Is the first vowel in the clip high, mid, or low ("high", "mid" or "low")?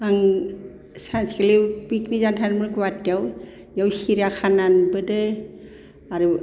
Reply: low